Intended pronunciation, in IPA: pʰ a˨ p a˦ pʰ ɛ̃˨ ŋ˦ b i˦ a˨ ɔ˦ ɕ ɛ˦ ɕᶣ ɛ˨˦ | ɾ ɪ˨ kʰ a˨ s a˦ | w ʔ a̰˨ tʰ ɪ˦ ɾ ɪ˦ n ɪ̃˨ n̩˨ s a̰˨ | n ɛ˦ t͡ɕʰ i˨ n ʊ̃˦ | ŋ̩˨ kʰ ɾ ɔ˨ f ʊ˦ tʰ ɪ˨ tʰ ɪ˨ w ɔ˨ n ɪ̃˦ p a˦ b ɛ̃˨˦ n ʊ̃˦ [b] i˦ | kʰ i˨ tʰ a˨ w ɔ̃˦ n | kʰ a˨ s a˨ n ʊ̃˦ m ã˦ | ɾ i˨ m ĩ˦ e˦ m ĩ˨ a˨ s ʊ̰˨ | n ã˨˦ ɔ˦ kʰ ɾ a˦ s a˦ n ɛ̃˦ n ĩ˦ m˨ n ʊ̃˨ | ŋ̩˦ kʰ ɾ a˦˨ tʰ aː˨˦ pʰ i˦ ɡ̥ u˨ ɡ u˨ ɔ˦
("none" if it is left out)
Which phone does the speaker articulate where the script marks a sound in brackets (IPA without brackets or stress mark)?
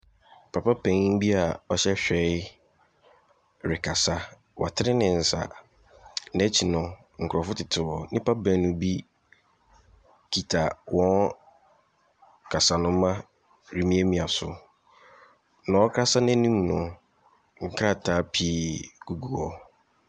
b